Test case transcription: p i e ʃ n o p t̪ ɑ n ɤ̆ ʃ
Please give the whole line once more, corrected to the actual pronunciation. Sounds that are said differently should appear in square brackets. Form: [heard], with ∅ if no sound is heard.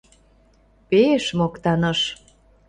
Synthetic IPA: p [e] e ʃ [m] o [k] t̪ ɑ n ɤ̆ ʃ